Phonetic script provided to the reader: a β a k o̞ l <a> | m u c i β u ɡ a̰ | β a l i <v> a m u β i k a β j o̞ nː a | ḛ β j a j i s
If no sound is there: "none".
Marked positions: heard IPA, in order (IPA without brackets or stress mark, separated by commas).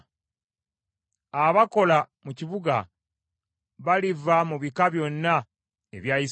a, v